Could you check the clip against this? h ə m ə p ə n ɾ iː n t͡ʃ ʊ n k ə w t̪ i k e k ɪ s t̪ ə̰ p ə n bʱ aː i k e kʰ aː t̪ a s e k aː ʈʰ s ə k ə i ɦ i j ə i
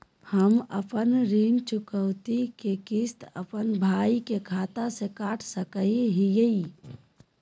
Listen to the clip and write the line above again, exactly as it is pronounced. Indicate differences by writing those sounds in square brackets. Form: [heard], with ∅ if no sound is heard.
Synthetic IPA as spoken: h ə m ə p ə n ɾ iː n t͡ʃ ʊ [∅] k ə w t̪ i k e k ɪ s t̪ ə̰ p ə n bʱ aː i k e kʰ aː t̪ a s e k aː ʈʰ s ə k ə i ɦ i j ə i